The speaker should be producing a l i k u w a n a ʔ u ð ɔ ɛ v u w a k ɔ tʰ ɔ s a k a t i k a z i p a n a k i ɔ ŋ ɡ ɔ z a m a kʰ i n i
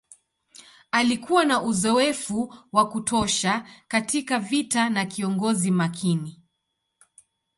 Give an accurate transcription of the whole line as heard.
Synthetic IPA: a l i k u w a n a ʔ u z ɔ ɛ f u w a k u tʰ ɔ ʃ a k a t i k a v i t a n a k i ɔ ŋ ɡ ɔ z i m a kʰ i n i